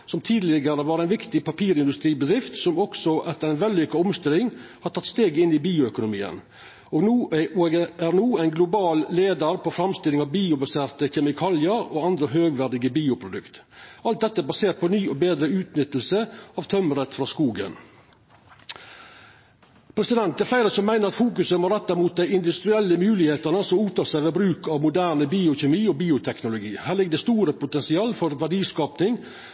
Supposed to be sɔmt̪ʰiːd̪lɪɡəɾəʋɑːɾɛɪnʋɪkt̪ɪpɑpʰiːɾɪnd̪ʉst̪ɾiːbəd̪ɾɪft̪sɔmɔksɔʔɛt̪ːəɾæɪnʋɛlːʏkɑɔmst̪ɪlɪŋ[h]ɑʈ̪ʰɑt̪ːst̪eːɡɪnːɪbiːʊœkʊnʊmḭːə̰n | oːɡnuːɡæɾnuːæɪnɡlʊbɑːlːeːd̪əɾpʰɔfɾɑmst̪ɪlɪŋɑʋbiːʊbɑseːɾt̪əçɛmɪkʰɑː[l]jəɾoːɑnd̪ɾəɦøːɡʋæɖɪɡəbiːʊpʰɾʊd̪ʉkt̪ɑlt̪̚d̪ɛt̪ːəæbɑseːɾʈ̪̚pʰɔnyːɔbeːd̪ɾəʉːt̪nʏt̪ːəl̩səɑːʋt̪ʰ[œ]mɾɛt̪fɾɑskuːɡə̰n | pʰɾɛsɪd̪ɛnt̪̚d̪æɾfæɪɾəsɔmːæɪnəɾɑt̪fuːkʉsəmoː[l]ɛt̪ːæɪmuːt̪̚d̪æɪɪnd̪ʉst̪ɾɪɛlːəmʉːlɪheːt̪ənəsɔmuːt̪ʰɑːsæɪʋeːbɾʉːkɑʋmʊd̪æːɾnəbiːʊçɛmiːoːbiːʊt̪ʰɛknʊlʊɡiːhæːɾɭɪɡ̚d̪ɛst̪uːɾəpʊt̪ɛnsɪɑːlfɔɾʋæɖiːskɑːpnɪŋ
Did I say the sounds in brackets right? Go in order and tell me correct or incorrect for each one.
correct, correct, correct, incorrect: ɾ

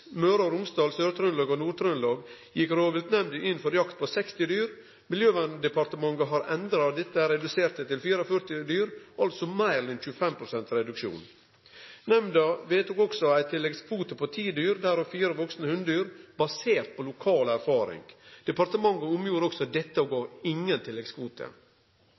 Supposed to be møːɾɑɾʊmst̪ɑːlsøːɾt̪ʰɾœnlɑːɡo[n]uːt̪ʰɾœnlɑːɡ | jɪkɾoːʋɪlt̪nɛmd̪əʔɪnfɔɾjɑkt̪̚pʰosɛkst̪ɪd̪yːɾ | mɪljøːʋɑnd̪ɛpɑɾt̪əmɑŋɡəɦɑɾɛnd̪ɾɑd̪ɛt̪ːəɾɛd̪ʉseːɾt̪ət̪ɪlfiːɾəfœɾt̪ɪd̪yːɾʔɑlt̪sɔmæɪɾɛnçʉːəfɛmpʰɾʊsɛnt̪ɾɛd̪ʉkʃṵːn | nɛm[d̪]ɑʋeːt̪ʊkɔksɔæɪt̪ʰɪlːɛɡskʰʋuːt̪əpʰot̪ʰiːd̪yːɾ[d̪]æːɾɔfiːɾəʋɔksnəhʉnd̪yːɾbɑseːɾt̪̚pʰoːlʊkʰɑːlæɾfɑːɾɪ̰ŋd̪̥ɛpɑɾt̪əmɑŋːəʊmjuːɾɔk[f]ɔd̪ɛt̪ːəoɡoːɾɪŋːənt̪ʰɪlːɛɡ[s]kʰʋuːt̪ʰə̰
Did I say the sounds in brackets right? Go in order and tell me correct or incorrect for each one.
correct, correct, correct, incorrect: s, correct

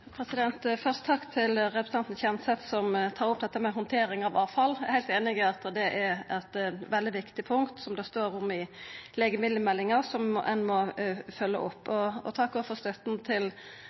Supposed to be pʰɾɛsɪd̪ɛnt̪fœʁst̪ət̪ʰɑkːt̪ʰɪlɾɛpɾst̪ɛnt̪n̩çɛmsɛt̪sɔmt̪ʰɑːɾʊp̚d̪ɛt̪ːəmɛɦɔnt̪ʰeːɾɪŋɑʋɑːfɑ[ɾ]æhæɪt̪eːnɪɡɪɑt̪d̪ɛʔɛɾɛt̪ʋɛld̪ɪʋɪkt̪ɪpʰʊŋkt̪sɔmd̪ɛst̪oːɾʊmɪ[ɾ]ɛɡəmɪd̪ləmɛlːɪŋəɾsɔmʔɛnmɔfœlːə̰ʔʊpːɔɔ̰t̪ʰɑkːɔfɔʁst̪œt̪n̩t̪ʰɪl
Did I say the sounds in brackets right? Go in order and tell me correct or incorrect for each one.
incorrect: l, incorrect: l

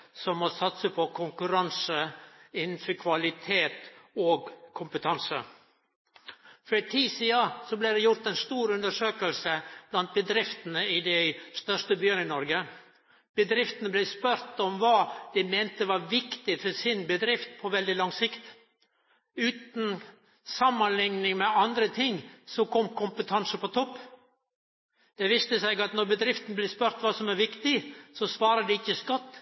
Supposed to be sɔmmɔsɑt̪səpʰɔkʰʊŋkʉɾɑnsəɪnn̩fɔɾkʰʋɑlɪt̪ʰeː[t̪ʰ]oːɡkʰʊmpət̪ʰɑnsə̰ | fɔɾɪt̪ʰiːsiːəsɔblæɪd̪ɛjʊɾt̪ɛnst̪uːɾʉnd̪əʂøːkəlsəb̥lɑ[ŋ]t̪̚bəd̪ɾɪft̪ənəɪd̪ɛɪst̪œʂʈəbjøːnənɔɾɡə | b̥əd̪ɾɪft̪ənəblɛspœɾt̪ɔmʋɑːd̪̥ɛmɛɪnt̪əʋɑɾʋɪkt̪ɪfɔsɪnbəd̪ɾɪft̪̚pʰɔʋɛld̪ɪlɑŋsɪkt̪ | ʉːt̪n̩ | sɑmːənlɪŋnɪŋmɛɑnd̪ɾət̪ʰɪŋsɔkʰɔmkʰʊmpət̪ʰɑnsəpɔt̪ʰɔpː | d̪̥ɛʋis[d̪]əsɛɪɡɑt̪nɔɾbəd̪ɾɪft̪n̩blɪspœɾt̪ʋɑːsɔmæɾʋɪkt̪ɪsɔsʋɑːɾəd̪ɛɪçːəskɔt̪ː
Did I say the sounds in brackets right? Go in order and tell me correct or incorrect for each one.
incorrect: t̪, incorrect: n, incorrect: t̪

